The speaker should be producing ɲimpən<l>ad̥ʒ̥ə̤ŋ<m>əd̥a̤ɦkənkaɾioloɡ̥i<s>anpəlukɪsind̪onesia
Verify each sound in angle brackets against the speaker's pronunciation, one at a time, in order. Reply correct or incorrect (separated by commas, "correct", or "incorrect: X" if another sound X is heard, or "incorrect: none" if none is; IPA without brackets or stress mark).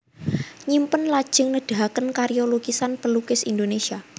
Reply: correct, incorrect: n, correct